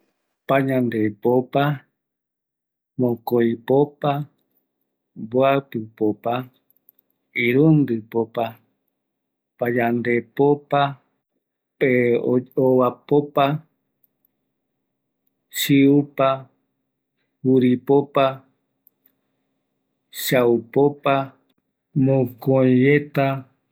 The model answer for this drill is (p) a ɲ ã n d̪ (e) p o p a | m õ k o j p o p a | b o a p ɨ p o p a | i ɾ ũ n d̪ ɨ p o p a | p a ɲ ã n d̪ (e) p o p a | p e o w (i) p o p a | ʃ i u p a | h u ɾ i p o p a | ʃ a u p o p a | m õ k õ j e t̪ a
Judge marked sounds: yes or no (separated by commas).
yes, yes, yes, no